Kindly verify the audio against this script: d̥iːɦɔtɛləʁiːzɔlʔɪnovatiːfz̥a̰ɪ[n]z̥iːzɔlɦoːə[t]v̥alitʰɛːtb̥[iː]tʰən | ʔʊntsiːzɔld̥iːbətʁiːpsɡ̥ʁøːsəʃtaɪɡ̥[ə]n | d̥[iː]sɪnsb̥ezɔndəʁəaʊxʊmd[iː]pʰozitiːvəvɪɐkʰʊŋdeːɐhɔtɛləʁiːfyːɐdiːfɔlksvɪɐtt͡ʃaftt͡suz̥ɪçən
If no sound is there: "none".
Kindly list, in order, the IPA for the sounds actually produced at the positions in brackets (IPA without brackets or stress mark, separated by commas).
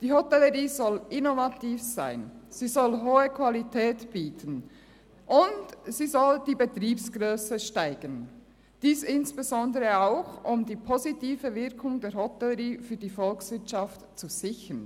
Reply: n, k, iː, ə, iː, iː